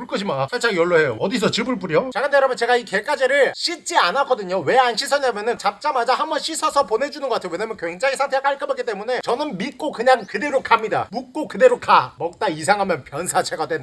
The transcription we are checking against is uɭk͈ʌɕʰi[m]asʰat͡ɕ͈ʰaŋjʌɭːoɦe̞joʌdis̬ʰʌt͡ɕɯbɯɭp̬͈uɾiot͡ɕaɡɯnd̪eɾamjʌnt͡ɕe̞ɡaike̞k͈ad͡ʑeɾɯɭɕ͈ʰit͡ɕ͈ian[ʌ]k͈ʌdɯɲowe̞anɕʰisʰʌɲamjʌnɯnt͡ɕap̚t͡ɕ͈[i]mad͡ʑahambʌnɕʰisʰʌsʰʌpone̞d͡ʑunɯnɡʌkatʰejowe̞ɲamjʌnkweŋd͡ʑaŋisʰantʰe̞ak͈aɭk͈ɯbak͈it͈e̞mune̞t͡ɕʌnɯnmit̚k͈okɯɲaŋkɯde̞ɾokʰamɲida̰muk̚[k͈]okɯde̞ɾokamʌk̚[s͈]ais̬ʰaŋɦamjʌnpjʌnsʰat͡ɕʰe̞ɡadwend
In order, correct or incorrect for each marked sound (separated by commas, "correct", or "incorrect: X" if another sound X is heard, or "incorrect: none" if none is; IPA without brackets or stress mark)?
correct, incorrect: a, incorrect: a, correct, incorrect: t͈